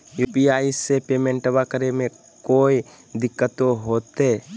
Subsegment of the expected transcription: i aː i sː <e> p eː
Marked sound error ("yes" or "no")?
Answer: no